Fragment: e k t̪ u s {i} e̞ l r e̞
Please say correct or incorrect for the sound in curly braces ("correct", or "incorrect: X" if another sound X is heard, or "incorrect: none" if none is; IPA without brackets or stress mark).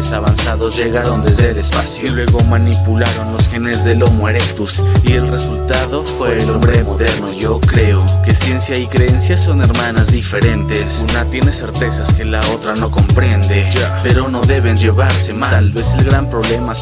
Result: correct